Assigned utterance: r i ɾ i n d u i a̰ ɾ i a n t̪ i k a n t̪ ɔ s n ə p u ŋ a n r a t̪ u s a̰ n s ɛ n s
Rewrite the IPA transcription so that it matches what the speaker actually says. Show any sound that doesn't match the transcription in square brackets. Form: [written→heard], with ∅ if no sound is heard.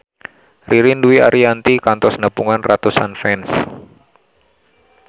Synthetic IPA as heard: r i ɾ i n d u i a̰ ɾ i a n t̪ i k a n t̪ ɔ s n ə p u ŋ a n r a t̪ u s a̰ n [s→f] ɛ n s